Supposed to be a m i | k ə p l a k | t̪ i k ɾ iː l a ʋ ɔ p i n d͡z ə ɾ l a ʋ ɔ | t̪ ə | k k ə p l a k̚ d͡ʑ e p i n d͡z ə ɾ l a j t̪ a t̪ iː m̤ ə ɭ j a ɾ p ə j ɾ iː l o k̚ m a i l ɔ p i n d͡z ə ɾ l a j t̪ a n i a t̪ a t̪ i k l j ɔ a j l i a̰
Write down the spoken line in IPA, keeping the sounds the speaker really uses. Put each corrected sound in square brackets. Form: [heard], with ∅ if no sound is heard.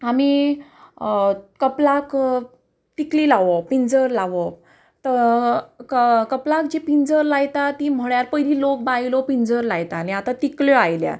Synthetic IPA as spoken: a m i | k ə p l a k | t̪ i k [l] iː l a ʋ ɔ p i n d͡z ə ɾ l a ʋ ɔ | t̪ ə | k k ə p l a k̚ d͡ʑ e p i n d͡z ə ɾ l a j t̪ a t̪ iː m̤ ə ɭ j a ɾ p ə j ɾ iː l o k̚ [b] a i l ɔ p i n d͡z ə ɾ l a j t̪ a n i a t̪ a t̪ i k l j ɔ a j l [j] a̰

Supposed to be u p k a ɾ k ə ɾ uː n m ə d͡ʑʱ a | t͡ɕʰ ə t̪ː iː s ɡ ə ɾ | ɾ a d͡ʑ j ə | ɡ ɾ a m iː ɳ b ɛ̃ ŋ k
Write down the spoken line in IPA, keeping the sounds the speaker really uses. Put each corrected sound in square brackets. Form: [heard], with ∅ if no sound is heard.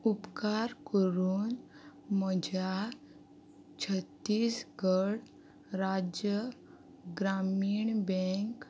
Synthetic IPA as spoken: u p k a ɾ k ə ɾ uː n m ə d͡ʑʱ a | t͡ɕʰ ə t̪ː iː s ɡ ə [ɽ] | ɾ a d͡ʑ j ə | ɡ ɾ a m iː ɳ b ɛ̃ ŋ k

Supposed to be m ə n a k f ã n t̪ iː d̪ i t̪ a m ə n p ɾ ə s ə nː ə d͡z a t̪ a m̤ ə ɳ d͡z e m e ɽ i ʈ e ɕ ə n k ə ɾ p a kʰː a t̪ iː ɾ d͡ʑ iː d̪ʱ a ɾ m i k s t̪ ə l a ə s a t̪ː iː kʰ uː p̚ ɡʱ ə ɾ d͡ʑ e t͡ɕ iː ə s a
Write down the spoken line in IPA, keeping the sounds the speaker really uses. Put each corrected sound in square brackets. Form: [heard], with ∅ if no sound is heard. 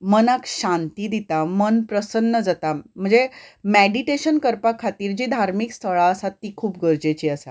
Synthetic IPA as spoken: m ə n a k [ɕ] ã n t̪ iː d̪ i t̪ a m ə n p ɾ ə s ə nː ə d͡z a t̪ a m̤ ə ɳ d͡z e m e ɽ i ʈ e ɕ ə n k ə ɾ p a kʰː a t̪ iː ɾ d͡ʑ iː d̪ʱ a ɾ m i k s [t̪ʰ] ə [ɭ] a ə s a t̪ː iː kʰ uː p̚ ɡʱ ə ɾ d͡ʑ e t͡ɕ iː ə s a

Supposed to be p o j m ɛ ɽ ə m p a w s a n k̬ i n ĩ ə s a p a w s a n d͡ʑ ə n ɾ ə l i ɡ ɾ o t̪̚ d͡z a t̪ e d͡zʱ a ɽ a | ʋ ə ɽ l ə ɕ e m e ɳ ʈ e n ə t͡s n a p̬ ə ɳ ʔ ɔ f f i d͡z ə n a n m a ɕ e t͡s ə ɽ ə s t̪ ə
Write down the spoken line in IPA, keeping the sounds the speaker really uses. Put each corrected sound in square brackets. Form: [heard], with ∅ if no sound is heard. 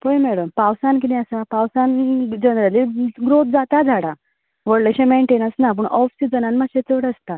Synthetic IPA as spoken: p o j m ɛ ɽ ə m p a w s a n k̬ i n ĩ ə s a p a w s a n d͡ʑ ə n ɾ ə l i ɡ ɾ o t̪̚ d͡z a t̪ [a] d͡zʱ a ɽ a | ʋ ə ɽ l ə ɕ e m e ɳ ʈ e n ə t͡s n a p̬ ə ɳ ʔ ɔ f [s] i d͡z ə n a n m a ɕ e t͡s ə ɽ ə s t̪ [a]

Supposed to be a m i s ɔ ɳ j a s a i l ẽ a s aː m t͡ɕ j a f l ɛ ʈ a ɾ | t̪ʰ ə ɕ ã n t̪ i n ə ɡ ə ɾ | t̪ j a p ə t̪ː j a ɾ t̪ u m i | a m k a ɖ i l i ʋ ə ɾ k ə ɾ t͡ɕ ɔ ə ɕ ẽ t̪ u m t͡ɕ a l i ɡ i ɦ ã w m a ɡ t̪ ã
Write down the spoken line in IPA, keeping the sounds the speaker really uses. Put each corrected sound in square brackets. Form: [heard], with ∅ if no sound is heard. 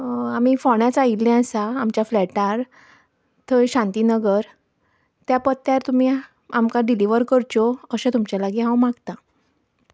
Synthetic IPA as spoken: a m i [f] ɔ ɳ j a [t͡s] a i l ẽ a s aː m t͡ɕ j a f l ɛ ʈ a ɾ | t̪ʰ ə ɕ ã n t̪ i n ə ɡ ə ɾ | t̪ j a p ə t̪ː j a ɾ t̪ u m i | a m k a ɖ i l i ʋ ə ɾ k ə ɾ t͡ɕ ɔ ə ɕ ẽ t̪ u m t͡ɕ a l [a] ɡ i ɦ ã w m a ɡ t̪ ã

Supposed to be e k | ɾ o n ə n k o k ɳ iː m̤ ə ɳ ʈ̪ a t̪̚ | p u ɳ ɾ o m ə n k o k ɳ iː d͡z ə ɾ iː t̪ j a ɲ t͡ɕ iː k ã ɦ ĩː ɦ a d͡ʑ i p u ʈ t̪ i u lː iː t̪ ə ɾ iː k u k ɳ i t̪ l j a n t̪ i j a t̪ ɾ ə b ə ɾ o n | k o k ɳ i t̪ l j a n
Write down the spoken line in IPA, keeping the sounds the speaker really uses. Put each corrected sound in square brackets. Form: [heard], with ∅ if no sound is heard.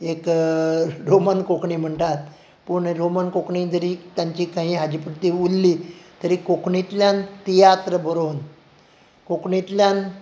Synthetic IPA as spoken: e k | ɾ o [m] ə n k o k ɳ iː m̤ ə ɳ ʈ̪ a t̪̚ | p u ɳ ɾ o m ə n k o k ɳ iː d͡z ə ɾ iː t̪ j a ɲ t͡ɕ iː k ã ɦ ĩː ɦ a d͡ʑ i p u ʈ t̪ i u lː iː t̪ ə ɾ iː k [o] k ɳ i t̪ l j a n t̪ i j a t̪ ɾ ə b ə ɾ o n | k o k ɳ i t̪ l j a n

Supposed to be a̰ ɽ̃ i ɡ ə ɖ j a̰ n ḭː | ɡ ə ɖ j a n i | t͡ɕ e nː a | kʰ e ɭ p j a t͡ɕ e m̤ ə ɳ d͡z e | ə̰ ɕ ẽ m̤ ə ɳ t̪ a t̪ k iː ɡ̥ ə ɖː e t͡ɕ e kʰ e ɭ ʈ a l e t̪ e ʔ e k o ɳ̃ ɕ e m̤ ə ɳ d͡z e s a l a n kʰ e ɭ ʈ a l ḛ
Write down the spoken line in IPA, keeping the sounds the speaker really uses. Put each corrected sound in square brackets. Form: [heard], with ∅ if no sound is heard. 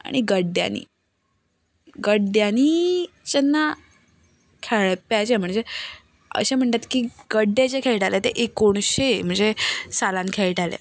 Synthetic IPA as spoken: a̰ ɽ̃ i ɡ ə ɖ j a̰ n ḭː | ɡ ə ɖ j a n i | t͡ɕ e nː a | kʰ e ɭ p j a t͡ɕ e m̤ ə ɳ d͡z e | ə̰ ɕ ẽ m̤ ə ɳ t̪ a t̪ k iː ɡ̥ ə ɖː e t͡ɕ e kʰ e ɭ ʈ a l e t̪ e ʔ e k o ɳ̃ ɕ e m̤ ə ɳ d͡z e s a l a n kʰ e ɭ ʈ a l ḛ

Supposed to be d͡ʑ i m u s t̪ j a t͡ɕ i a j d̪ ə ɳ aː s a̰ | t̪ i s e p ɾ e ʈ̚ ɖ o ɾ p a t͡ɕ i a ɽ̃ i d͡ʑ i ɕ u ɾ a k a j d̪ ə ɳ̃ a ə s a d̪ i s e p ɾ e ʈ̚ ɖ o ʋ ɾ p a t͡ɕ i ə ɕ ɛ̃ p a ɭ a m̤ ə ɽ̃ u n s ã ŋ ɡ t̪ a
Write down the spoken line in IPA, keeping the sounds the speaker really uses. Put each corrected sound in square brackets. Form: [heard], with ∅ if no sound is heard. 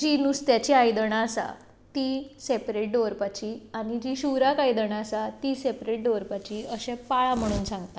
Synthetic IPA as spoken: d͡ʑ i [n] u s t̪ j a t͡ɕ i a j d̪ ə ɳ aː s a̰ | t̪ i s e p ɾ e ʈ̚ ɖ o ɾ p a t͡ɕ i a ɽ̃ i d͡ʑ i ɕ u ɾ a k a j d̪ ə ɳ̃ a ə s a [t̪] i s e p ɾ e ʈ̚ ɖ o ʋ ɾ p a t͡ɕ i ə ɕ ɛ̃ p a ɭ a m̤ ə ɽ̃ [uː] n s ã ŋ ɡ t̪ a

